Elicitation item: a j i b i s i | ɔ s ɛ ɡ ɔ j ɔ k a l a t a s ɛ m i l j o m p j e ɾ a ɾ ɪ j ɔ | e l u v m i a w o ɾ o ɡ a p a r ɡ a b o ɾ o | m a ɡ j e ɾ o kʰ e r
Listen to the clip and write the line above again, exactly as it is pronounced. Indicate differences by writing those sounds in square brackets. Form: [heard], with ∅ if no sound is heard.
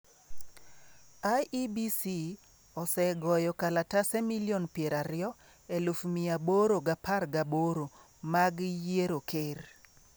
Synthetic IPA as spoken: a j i b i s i | ɔ s ɛ ɡ ɔ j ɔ k a l a t a s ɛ m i l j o [n] p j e ɾ a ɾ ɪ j ɔ | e l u [f] m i a [b] o ɾ o ɡ a p a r ɡ a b o ɾ o | m a ɡ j e ɾ o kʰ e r